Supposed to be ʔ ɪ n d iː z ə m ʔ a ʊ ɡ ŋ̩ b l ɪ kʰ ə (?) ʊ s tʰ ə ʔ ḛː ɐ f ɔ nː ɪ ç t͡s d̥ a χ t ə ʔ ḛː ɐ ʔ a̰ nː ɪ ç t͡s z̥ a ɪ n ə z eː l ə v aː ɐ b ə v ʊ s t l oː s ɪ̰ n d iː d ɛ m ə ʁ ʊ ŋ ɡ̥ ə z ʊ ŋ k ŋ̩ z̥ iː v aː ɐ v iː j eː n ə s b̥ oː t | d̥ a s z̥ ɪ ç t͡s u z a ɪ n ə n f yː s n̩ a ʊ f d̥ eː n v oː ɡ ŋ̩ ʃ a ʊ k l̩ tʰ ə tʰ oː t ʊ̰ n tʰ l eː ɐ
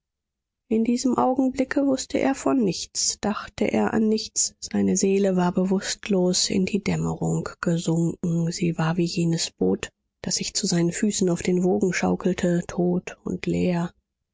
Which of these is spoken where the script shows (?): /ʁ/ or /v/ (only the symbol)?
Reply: v